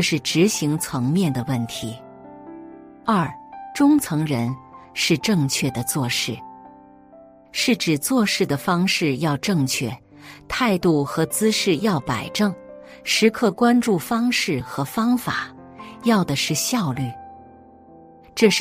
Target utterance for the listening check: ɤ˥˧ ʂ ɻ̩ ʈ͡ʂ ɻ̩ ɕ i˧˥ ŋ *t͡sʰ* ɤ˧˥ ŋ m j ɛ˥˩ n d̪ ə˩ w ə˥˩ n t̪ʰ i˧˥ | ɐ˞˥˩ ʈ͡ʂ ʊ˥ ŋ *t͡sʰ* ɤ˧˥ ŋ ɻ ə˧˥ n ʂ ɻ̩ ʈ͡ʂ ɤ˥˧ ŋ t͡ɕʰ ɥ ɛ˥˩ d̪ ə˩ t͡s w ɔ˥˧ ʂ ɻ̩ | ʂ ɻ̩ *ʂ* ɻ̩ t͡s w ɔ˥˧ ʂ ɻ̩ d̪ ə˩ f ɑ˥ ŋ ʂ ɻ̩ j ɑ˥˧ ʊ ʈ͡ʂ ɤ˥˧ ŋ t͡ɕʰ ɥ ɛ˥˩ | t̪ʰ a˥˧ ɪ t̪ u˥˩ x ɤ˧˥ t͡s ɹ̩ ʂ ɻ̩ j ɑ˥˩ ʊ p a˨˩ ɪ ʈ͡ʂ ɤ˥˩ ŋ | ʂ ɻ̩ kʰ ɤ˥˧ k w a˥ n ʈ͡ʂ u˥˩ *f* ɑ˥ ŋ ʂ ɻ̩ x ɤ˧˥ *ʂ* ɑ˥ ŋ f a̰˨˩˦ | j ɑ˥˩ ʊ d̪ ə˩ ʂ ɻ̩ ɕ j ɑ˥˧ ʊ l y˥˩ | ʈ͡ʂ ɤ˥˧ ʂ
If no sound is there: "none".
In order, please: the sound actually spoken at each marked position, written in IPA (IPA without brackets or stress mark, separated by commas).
t͡sʰ, t͡sʰ, ʈ͡ʂ, f, f